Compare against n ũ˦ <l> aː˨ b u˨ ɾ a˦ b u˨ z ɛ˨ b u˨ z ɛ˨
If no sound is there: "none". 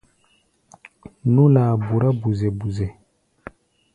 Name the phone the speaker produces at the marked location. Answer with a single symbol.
l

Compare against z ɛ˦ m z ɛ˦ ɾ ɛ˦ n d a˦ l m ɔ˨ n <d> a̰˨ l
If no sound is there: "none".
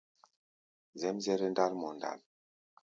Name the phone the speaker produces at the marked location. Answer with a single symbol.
d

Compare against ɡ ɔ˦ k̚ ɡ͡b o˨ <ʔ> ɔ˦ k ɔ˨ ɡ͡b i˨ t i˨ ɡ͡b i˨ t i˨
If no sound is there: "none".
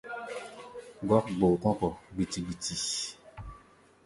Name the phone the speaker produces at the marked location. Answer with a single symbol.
k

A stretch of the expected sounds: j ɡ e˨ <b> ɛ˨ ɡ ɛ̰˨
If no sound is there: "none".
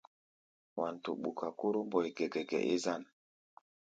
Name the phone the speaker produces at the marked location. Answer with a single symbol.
ɡ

